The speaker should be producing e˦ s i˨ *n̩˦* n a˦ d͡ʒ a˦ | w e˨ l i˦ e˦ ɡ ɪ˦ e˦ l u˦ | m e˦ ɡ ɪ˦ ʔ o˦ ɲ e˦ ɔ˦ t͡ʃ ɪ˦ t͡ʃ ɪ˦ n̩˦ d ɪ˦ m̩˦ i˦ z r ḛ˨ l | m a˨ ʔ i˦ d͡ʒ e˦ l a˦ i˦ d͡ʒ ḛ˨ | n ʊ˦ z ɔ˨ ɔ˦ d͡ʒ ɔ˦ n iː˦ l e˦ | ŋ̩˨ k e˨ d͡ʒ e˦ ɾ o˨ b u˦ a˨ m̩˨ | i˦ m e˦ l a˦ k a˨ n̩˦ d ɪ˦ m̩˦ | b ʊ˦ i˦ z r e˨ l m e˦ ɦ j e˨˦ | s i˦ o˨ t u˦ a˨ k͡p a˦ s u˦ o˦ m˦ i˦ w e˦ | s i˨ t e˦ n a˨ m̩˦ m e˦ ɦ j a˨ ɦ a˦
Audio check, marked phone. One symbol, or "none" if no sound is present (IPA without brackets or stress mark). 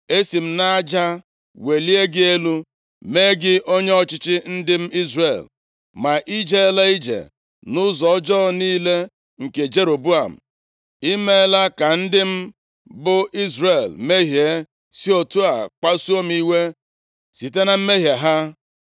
m̩˦